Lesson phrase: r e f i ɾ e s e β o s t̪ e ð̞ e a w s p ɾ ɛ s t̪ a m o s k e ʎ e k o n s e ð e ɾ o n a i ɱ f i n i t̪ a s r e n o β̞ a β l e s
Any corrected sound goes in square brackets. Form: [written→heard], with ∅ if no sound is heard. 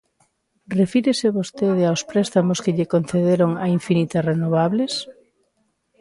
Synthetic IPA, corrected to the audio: r e f i ɾ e s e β o s t̪ e ð̞ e a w s p ɾ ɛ s t̪ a m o s k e ʎ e k o n [s→θ] e ð e ɾ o [n→ŋ] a i ɱ f i n i t̪ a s r e n o β̞ a β l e s